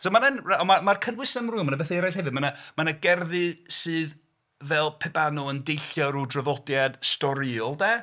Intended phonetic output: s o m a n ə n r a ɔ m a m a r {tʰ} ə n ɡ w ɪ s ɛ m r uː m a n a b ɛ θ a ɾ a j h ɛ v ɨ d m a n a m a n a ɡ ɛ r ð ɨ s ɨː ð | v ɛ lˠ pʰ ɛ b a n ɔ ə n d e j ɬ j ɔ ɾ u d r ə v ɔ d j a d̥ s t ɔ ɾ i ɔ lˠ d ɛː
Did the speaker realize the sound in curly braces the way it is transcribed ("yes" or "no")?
no